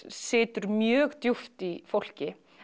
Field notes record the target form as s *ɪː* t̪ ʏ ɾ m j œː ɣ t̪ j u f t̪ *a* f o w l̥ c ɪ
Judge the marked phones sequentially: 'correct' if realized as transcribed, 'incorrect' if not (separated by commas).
correct, incorrect